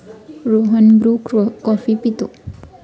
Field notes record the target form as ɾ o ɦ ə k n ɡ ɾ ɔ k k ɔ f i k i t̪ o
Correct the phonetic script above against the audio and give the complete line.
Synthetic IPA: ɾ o ɦ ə n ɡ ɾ u k k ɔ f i p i t̪ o

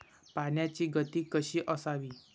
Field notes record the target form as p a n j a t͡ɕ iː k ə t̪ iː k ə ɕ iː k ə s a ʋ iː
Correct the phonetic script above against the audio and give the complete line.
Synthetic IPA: p a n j a t͡ɕ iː ɡ ə t̪ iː k ə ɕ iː ʔ ə s a ʋ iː

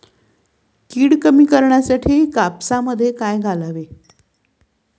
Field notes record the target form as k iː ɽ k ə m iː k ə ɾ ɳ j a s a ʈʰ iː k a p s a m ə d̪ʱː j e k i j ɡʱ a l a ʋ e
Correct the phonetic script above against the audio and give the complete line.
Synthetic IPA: k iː ɽ k ə m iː k ə ɾ ɳ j a s a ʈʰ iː k a p s a m ə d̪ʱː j e k a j ɡʱ a l a ʋ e

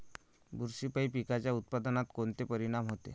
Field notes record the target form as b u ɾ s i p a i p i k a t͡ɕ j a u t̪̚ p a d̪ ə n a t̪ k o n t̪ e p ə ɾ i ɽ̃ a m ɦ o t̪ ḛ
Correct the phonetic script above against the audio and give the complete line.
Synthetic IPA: b u ɾ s i p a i p i k a t͡ɕ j a u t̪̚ p a d̪ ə n a t̪ k o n t̪ e p ə ɾ i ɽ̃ a m ɦ o t̪ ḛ

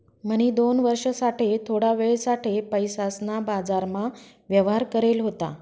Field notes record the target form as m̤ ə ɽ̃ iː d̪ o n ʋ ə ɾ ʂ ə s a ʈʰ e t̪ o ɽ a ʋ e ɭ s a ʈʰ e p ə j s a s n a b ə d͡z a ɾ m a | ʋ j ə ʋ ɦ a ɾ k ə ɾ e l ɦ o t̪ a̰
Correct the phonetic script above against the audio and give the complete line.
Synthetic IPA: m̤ ə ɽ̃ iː d̪ o n ʋ ə ɾ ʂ ə s a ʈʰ e t̪ʰ o ɽ a ʋ e ɭ s a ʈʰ e p ə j s a s n a b a d͡z a ɾ m a | ʋ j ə ʋ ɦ a ɾ k ə ɾ e l ɦ o t̪ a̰

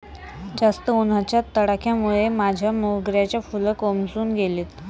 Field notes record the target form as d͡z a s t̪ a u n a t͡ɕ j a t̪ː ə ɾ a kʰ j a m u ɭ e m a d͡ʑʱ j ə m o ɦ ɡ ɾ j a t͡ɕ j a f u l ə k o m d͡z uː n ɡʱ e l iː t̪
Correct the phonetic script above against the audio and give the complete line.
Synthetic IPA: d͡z a s t̪ ə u n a t͡ɕ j a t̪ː ə ɽ a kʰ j a m u ɭ e m a d͡ʑʱ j a m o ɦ ɡ ɾ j a t͡ɕ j a f u l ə k o m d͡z uː n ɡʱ e l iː t̪

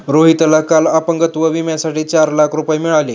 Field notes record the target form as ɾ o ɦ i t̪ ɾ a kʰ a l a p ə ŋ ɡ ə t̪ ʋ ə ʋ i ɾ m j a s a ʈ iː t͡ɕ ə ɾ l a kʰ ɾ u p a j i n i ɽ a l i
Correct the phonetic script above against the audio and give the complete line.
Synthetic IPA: ɾ o ɦ i t̪ l a k a l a p ə ŋ ɡ ə t̪ ʋ ə ʋ i m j a s a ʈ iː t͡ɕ a ɾ l a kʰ ɾ u p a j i m i ɭ a l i

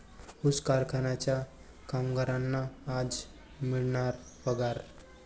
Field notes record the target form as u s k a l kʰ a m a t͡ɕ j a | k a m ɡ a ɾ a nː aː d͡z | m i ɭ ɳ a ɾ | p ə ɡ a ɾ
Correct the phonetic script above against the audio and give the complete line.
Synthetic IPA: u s k a ɾ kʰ a n a t͡ɕ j a | k a m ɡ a ɾ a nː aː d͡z | m i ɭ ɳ a ɾ | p ə ɡ a ɾ

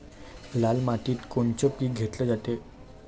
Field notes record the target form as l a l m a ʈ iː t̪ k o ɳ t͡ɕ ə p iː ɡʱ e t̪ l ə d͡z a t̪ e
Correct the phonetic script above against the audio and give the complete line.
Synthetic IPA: l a l m a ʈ iː t̪ k o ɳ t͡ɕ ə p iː ɡʱ e t̪ l ə d͡z a t̪ e

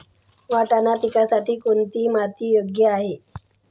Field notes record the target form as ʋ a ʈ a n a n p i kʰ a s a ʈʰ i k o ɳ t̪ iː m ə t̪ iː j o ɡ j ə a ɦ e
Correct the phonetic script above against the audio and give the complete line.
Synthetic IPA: ʋ a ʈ a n a p i k a s a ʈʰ iː k o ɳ t̪ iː m a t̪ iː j o ɡ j ə a ɦ e

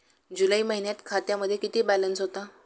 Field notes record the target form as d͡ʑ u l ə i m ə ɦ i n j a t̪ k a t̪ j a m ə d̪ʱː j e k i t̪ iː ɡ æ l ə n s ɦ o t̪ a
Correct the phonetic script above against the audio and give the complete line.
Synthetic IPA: d͡ʑ u l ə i m ə ɦ i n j a t̪ kʰ a t̪ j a m ə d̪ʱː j e k i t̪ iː b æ l ə n s ɦ o t̪ a

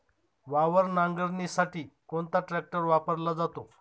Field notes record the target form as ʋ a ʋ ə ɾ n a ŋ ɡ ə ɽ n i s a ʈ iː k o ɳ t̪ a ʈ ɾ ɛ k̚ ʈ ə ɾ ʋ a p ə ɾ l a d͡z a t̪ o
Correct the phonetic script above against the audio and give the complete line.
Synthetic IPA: ʋ a ʋ ə ɾ n a ŋ ɡ ə ɾ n i s a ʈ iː k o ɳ t̪ a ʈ ɾ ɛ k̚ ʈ ə ɾ ʋ a p ə ɾ l a d͡z a t̪ o

